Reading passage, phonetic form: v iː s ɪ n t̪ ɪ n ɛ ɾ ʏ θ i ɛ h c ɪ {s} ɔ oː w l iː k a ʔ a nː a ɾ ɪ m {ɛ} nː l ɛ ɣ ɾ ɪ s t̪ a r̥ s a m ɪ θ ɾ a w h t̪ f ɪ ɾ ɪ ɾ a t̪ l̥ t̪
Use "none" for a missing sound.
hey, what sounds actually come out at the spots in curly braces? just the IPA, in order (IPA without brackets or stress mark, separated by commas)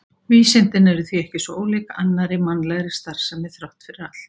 s, a